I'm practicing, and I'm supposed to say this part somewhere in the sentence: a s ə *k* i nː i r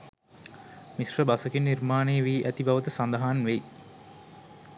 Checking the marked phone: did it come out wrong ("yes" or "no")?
no